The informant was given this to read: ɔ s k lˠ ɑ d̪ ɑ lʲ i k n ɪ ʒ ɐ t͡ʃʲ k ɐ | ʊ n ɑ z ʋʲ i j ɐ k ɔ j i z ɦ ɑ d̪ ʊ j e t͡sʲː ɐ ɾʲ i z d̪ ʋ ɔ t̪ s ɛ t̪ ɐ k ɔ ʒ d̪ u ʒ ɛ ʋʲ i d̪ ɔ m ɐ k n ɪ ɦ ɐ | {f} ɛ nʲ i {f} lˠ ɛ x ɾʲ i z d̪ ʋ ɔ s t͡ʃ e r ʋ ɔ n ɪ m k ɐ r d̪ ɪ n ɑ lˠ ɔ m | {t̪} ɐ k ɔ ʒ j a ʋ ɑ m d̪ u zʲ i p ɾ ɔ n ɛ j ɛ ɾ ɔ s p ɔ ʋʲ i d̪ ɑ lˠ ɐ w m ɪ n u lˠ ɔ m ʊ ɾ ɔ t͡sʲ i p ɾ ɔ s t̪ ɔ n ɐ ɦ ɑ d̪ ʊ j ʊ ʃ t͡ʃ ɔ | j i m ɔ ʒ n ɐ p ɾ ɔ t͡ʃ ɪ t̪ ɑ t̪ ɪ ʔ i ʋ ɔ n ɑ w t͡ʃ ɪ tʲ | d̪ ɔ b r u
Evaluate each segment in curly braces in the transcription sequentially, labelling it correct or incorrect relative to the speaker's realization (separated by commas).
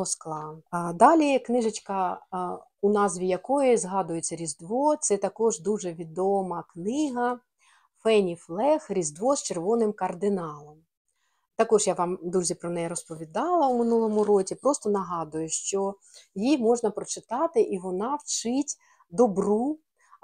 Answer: correct, correct, correct